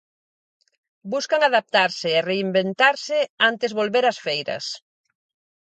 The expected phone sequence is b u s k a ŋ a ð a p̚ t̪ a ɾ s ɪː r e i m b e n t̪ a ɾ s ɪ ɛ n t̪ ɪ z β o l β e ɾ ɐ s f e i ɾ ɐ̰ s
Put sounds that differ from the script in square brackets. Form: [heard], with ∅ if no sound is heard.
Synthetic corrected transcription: b u s k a ŋ a ð a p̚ t̪ a ɾ s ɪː r e i m b e n t̪ a ɾ s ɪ [a] n t̪ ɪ z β o l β e ɾ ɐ s f e [j] ɾ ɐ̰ s

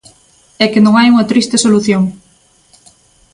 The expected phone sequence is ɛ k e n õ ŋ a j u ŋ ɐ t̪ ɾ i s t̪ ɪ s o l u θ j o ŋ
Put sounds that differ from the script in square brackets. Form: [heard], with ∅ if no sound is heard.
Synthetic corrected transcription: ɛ k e n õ ŋ a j u ŋ ɐ t̪ ɾ i s t̪ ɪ s o l u θ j o ŋ

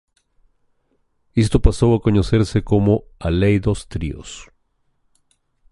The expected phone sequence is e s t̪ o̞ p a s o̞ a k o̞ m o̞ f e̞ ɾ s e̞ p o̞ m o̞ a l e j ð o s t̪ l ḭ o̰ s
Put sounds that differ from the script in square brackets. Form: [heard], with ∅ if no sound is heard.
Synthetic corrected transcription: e s t̪ o̞ p a s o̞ a k o̞ [ɲ] o̞ [s] e̞ ɾ s e̞ [k] o̞ m o̞ a l e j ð o s t̪ [ɾ] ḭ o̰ s

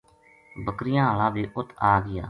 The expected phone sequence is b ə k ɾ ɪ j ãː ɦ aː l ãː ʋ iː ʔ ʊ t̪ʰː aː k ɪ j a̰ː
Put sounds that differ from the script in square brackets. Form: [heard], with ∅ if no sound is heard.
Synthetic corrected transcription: b ə k ɾ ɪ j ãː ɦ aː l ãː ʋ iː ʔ ʊ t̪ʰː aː [ɡ] ɪ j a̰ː

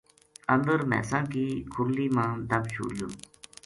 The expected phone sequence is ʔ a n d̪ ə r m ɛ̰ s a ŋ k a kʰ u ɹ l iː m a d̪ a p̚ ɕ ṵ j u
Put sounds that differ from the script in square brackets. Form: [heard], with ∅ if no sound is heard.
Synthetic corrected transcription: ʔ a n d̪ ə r m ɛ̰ s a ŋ k [i] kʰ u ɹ l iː m a d̪ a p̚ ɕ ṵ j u

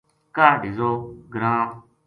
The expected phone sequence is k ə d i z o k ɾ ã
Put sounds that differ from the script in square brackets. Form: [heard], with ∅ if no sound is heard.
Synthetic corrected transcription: k [a] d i z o [ɡ] ɾ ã

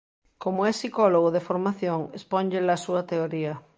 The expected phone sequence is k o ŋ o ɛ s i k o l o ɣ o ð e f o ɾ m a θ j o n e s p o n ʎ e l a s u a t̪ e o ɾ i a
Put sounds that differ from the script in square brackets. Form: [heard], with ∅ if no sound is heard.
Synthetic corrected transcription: k o [m] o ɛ s i k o l o ɣ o ð e f o ɾ m a θ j o [ŋ] e s p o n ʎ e l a s u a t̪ e o ɾ i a

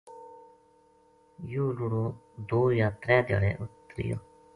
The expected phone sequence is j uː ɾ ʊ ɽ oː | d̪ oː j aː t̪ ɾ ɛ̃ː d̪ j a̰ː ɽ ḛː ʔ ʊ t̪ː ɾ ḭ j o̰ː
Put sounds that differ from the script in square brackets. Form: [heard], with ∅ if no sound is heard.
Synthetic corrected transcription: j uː [l] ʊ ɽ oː | d̪ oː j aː t̪ ɾ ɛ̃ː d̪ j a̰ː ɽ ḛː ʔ ʊ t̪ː ɾ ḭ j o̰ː

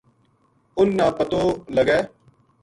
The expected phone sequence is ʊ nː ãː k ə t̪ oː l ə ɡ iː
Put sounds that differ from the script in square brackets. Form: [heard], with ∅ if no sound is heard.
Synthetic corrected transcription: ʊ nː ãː [p] ə t̪ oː l ə ɡ [ɛː]

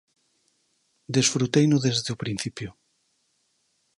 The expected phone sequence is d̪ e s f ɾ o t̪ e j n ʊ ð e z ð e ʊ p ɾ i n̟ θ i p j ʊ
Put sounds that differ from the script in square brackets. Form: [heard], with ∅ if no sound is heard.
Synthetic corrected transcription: d̪ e s f ɾ [u] t̪ e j n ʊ ð e z ð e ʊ p ɾ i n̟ θ i p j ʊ

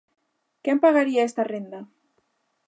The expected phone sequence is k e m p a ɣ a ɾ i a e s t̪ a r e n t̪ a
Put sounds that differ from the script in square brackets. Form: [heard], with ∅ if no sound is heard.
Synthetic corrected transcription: k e m p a ɣ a ɾ i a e s t̪ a r e n [d̪] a

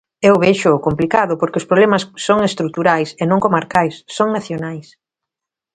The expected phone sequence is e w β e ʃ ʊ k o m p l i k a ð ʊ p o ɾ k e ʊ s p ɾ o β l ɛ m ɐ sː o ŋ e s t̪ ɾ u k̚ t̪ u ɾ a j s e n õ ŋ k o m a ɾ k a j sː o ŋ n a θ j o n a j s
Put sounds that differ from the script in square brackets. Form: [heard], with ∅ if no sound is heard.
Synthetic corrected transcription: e w β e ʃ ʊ k o m p l i k a ð ʊ p o ɾ k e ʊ s p ɾ o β l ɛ m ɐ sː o ŋ e s t̪ ɾ u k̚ t̪ u ɾ a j s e n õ ŋ k o m a ɾ k a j sː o ŋ n a θ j o n a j s

